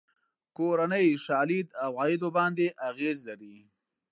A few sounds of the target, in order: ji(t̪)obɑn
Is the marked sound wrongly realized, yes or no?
yes